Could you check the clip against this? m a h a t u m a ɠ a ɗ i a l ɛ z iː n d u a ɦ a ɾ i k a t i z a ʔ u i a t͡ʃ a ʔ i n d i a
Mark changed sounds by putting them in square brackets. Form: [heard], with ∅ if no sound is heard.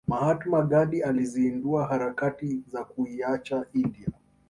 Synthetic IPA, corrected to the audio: m a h a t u m a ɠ a ɗ i a l [i] z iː n d u a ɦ a ɾ [a] k a t i z a [k] u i a t͡ʃ a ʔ i n d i a